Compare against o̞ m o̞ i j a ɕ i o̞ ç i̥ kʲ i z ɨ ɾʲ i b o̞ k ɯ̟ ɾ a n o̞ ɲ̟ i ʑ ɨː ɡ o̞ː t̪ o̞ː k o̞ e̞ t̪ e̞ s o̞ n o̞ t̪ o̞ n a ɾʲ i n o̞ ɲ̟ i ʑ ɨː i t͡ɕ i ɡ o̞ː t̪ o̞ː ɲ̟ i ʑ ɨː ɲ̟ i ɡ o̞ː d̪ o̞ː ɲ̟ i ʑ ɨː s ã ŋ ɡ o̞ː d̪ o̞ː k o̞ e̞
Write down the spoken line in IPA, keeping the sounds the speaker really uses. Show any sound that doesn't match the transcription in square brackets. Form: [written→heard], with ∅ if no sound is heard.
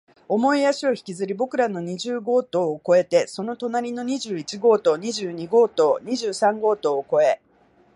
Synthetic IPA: o̞ m o̞ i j a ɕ i o̞ ç i̥ kʲ i z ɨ ɾʲ i b o̞ k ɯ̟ ɾ a n o̞ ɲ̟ i ʑ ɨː ɡ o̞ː t̪ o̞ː k o̞ e̞ t̪ e̞ s o̞ n o̞ t̪ o̞ n a ɾʲ i n o̞ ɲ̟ i ʑ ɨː i t͡ɕ i ɡ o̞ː t̪ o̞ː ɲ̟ i ʑ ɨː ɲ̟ i ɡ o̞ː [d̪→t̪] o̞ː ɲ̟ i ʑ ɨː s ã ŋ ɡ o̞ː [d̪→t̪] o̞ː k o̞ e̞